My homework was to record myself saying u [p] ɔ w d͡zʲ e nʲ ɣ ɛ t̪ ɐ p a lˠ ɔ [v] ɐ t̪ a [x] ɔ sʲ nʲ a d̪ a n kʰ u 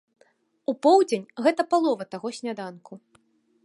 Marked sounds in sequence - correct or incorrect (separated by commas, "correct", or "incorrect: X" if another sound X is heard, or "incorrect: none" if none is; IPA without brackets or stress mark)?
correct, correct, incorrect: ɣ